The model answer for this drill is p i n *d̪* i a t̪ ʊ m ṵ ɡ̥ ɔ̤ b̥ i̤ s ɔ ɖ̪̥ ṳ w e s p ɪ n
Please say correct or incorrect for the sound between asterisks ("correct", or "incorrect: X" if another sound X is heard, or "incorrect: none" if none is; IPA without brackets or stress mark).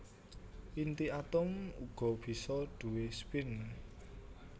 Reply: incorrect: t̪